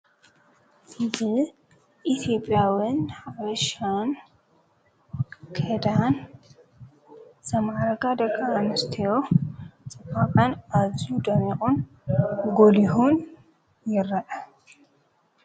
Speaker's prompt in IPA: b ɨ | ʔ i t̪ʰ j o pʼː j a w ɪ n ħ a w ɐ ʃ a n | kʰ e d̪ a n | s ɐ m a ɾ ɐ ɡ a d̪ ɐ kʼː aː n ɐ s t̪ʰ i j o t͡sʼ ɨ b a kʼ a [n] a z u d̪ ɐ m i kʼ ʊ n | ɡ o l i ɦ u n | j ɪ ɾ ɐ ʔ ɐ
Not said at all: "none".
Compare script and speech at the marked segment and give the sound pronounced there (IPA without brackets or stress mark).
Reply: n